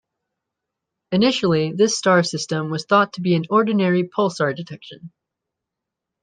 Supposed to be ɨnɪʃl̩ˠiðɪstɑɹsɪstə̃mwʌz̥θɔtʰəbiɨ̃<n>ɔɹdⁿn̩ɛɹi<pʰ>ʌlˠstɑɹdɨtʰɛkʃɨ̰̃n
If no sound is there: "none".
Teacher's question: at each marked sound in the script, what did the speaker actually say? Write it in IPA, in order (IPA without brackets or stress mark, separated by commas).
n, pʰ